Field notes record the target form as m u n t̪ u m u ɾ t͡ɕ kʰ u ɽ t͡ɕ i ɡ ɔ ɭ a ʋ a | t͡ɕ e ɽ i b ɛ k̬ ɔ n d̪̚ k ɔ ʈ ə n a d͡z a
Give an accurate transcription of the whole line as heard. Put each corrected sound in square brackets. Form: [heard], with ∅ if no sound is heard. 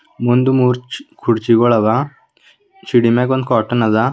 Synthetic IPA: m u n [d̪] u m u ɾ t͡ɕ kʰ u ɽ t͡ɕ i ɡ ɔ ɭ a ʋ a | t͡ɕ [i] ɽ i [m] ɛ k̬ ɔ n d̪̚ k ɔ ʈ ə n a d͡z a